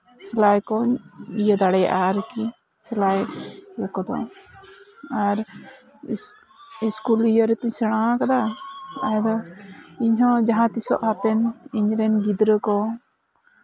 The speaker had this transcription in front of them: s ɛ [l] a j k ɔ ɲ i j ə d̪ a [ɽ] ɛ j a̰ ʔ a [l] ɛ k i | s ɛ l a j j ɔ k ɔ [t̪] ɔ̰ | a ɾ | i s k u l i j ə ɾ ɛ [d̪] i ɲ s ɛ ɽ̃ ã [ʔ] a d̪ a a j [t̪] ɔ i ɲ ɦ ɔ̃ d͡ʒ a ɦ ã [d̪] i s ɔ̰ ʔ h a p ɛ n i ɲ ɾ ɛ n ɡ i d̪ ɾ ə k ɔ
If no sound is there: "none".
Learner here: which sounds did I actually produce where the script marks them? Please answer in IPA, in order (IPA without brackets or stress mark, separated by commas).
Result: l, ɽ, ɾ, d̪, t̪, k, d̪, t̪